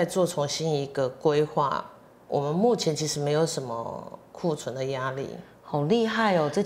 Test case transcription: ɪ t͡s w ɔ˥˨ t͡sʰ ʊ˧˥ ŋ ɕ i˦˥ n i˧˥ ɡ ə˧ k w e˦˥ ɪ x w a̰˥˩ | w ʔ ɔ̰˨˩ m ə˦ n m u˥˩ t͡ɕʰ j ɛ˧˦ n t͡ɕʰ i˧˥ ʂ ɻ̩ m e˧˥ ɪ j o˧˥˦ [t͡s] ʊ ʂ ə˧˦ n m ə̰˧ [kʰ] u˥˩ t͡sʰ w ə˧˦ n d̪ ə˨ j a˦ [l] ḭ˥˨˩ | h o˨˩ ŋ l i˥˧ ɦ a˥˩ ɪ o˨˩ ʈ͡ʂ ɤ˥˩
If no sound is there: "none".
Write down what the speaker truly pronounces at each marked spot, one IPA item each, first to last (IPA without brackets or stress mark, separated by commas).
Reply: none, kʰ, l